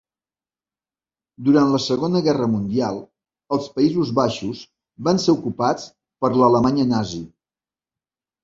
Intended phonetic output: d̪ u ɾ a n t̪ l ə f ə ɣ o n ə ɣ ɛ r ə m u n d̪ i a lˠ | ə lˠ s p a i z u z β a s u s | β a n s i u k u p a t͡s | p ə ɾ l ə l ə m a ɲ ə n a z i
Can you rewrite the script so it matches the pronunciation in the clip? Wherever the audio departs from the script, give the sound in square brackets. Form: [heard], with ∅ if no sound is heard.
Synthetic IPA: d̪ u ɾ a n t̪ l ə [s] ə ɣ o n ə ɣ ɛ r ə m u n d̪ i a lˠ | ə lˠ s p [ə] i z u z β a [ʃ] u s | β a n s [e] u k u p a t͡s | p ə ɾ l ə l ə m a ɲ ə n a z i